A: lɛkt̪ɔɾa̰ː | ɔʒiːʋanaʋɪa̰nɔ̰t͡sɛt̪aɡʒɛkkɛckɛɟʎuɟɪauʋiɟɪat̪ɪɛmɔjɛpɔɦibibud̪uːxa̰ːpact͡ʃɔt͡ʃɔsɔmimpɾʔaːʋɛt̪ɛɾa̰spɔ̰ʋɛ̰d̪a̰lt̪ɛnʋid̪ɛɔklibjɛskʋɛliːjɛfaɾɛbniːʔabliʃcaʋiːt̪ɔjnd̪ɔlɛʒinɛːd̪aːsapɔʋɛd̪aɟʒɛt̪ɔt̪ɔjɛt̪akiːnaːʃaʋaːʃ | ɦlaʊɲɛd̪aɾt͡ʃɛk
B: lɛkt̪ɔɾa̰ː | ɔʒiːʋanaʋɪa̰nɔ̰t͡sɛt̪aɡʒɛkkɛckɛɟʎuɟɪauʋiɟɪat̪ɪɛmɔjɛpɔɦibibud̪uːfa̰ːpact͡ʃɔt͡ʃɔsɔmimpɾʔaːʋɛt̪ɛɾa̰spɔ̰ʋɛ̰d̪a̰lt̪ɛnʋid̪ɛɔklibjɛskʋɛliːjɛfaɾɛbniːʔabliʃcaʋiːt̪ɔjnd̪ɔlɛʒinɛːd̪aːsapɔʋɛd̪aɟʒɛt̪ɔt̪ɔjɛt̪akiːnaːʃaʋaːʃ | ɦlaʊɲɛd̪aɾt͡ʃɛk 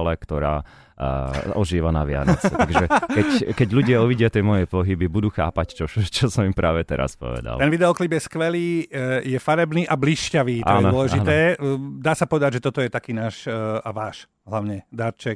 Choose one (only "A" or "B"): A